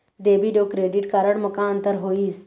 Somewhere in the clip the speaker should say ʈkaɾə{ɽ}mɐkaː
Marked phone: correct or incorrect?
correct